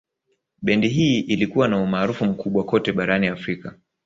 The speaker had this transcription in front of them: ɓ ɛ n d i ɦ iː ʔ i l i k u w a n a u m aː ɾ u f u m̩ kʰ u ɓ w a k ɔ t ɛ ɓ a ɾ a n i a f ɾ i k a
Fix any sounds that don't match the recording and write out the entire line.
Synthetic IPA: ɓ ɛ n d i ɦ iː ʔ i l i k u w a n a u m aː ɾ u f u m̩ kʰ u ɓ w a k ɔ t ɛ ɓ a ɾ a n i a f ɾ i k a